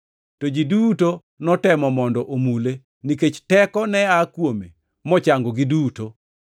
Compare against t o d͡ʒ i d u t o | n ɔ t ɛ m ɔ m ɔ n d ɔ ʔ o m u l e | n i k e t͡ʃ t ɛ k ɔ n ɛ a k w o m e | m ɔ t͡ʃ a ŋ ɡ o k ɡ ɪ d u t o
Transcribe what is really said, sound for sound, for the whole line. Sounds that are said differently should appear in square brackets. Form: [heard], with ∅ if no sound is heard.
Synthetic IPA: t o d͡ʒ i d u t o | n ɔ t ɛ m ɔ m ɔ n d ɔ ʔ o m u l e | n i k e t͡ʃ t ɛ k ɔ n ɛ a k w o m e | m ɔ t͡ʃ a ŋ ɡ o [∅] ɡ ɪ d u t o